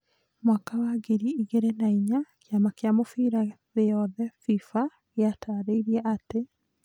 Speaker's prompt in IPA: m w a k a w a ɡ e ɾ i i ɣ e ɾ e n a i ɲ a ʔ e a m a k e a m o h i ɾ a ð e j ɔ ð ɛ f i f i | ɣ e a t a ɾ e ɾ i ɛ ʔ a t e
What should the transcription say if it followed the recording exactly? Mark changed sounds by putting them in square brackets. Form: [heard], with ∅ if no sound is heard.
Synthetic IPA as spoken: m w a k a w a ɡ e ɾ i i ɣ e ɾ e n a i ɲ a [k] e a m a k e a m o [f] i ɾ a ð e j ɔ ð ɛ f i f [a] | ɣ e a t a ɾ e ɾ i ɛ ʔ a t e